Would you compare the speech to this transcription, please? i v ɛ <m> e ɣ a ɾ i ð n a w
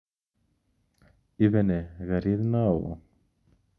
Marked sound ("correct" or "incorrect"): incorrect